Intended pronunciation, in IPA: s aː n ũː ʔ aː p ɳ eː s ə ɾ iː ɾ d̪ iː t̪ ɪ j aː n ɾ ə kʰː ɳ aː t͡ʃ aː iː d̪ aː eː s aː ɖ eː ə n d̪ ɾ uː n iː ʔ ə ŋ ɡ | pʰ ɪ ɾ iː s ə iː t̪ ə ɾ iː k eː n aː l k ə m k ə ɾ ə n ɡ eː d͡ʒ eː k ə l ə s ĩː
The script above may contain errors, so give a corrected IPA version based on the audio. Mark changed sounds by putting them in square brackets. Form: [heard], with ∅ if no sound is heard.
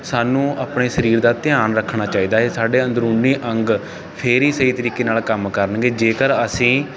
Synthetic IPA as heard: s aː n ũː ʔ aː p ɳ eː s ə ɾ iː ɾ d̪ [aː] t̪ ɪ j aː n ɾ ə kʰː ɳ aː t͡ʃ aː iː d̪ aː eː s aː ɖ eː ə n d̪ ɾ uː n iː ʔ ə ŋ ɡ | pʰ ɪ ɾ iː s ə iː t̪ ə ɾ iː k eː n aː l k ə m k ə ɾ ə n ɡ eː d͡ʒ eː k ə [ɾ] ə s ĩː